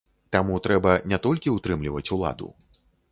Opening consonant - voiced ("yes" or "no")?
no